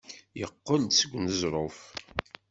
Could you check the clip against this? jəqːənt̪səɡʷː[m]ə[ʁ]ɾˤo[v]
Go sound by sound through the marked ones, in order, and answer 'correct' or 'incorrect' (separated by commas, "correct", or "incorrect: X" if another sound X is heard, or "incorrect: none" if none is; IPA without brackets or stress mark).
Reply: incorrect: n, incorrect: z, incorrect: f